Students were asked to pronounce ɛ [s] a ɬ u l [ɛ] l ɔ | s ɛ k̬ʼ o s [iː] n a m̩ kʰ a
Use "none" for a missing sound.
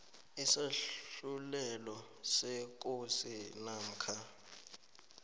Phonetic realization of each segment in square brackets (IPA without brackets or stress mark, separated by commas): s, ɛ, i